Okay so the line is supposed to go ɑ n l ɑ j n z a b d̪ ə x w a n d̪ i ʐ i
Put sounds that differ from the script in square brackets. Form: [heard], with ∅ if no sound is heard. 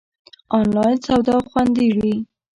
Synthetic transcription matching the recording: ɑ n l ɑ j n [s] a [w] d̪ [ɑ] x w a n d̪ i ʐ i